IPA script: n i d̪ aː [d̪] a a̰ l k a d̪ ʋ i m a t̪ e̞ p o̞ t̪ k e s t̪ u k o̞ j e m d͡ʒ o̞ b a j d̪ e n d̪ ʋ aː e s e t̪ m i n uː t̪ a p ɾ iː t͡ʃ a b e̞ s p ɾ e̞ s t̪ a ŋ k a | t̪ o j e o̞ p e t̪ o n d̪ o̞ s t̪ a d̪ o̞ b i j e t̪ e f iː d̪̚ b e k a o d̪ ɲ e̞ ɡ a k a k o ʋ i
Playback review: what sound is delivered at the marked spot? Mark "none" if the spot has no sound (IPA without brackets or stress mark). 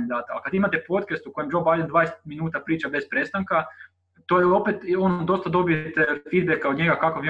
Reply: t̪